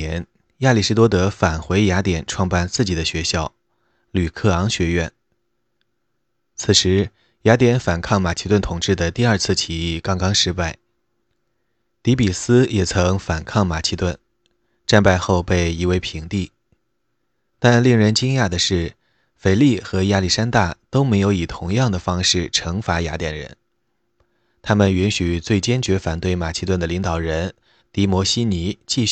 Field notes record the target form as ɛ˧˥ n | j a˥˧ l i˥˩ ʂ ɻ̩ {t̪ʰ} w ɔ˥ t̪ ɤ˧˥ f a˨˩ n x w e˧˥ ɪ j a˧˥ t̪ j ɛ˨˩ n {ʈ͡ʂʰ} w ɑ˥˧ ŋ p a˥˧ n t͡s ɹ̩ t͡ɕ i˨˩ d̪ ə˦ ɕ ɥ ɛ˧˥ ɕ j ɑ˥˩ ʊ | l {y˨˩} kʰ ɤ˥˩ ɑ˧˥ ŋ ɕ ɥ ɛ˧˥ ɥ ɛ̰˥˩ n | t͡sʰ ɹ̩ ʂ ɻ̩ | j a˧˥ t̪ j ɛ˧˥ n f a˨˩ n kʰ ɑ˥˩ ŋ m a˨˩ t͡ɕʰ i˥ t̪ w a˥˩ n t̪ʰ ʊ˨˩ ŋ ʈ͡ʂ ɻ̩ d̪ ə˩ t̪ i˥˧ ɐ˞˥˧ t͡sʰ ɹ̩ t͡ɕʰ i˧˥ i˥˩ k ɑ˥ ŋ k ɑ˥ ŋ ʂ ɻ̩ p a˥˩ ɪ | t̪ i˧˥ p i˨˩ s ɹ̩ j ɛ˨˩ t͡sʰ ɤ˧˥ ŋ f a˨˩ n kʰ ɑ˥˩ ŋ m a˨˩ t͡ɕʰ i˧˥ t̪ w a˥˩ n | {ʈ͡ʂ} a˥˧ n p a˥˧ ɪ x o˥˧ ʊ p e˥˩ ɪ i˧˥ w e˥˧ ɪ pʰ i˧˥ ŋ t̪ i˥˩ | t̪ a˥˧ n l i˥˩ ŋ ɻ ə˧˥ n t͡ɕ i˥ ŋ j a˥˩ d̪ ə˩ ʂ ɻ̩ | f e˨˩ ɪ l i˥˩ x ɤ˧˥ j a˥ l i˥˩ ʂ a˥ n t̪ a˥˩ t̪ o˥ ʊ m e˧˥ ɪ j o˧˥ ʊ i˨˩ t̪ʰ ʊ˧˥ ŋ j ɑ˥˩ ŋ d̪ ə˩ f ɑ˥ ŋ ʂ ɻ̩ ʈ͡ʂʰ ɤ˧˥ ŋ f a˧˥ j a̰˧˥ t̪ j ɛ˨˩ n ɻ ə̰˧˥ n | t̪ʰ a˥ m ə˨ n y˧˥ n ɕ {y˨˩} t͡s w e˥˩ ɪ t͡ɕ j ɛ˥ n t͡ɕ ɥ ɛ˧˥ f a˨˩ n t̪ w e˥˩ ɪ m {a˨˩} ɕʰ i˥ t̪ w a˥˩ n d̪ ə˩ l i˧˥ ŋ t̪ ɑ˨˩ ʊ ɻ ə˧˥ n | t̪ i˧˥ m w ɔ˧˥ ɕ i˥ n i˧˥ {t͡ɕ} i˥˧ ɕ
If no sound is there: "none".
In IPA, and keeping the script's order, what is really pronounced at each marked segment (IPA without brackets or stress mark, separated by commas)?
t̪, ʈ͡ʂʰ, y˨˩, ʈ͡ʂ, y˨˩, a˨˩, t͡ɕ